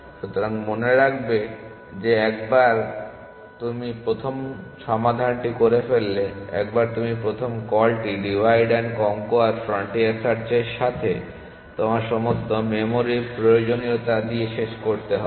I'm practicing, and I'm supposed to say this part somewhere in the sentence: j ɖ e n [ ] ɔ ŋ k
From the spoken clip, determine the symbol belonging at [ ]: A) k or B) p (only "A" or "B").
A